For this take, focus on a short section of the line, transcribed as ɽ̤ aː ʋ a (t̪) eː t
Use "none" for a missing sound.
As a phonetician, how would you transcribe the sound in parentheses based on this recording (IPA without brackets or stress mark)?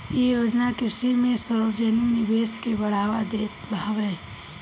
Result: d̪